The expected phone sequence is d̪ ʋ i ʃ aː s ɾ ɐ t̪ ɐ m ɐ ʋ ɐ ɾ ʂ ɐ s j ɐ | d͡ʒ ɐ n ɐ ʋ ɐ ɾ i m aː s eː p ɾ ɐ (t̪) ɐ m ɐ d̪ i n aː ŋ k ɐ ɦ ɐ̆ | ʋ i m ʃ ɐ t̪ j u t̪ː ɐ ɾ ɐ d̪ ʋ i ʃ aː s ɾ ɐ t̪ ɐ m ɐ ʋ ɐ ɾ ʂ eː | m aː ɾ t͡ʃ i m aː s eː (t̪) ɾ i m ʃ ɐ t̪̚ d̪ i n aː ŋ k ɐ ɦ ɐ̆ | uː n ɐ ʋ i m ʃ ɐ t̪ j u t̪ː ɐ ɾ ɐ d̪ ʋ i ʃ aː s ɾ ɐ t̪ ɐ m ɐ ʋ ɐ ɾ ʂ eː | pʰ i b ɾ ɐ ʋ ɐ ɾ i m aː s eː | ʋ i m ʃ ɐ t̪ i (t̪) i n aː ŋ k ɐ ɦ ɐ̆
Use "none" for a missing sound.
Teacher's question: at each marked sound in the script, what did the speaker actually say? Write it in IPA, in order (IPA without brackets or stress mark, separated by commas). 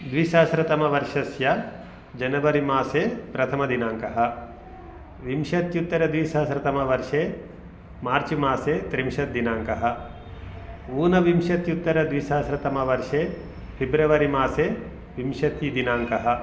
t̪ʰ, t̪, d̪